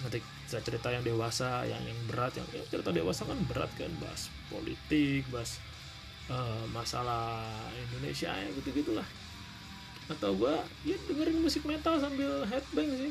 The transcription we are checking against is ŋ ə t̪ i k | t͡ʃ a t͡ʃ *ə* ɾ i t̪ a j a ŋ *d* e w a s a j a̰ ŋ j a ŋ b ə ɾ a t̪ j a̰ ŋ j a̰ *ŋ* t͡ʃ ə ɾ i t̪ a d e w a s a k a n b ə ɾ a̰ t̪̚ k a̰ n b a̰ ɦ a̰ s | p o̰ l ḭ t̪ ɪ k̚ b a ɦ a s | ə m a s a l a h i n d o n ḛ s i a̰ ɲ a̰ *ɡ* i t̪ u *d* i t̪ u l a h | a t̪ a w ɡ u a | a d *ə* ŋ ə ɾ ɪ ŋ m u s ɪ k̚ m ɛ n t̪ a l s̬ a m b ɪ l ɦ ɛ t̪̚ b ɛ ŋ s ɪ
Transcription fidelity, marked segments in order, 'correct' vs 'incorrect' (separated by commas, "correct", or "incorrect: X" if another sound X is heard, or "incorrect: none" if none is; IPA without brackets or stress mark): correct, correct, correct, correct, incorrect: ɡ, correct